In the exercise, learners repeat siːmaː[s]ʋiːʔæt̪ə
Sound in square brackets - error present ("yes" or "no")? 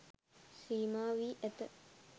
yes